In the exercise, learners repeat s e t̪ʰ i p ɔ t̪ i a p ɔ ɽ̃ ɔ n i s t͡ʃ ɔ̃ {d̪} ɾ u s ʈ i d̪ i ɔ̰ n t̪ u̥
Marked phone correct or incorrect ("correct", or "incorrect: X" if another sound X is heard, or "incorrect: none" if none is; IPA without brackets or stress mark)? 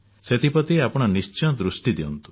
correct